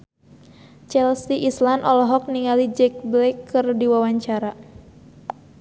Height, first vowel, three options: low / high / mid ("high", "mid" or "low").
mid